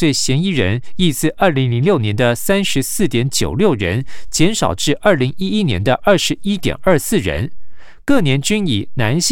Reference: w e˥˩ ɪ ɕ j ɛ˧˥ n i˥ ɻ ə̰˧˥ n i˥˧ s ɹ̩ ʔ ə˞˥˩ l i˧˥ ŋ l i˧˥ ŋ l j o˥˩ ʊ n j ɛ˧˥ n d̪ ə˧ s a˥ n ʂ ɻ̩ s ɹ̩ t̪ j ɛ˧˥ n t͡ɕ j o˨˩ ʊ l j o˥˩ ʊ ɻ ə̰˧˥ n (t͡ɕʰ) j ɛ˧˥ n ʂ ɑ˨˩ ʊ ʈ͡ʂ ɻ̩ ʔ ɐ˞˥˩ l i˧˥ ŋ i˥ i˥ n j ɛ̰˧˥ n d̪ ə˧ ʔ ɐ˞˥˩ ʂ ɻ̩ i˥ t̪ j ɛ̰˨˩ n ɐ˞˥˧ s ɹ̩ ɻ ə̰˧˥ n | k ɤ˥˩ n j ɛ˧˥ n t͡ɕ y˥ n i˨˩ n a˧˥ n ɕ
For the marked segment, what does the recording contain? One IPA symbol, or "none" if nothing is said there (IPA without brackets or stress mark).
t͡ɕ